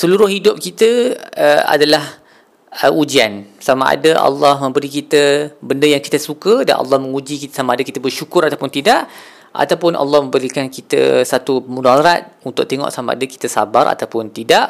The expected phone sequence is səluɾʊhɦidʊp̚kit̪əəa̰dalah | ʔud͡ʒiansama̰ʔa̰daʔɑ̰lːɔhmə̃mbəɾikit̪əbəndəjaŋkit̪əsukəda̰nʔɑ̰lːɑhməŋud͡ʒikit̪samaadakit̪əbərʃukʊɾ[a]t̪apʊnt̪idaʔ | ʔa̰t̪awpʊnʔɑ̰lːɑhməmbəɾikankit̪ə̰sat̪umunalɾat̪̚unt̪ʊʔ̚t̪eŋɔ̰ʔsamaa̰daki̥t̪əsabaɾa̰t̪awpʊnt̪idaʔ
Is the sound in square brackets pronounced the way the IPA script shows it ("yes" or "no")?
yes